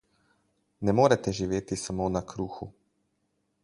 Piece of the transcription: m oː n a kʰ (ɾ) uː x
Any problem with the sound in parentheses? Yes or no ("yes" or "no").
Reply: no